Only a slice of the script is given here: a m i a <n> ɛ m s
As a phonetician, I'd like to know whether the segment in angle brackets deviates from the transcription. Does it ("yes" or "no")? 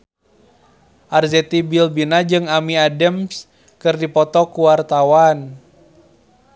yes